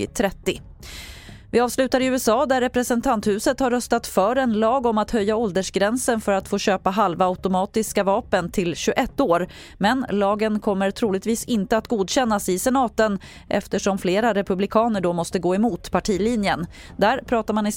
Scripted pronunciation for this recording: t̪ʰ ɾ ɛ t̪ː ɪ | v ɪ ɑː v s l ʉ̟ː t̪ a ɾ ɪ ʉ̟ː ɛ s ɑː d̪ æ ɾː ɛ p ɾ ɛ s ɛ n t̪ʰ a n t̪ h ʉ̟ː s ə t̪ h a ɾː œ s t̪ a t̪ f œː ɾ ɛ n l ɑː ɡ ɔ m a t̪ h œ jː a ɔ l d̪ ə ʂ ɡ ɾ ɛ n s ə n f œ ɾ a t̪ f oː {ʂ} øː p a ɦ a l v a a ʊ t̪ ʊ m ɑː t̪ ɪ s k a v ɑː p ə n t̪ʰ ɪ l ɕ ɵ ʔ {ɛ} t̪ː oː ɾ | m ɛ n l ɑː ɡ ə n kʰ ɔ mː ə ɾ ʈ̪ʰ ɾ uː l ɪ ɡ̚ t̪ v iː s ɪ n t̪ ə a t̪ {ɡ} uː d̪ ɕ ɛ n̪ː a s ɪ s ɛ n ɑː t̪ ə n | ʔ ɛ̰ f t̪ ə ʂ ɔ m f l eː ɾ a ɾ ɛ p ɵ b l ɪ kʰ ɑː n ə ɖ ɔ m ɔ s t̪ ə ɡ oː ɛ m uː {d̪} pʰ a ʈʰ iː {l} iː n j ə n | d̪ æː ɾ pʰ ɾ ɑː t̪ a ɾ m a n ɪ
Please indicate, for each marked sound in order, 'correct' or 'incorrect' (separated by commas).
incorrect, correct, correct, incorrect, correct